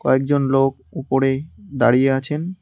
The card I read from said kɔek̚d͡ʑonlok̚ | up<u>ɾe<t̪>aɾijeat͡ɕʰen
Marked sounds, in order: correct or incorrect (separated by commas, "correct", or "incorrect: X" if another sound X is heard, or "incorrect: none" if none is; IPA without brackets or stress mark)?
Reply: incorrect: o, incorrect: d̪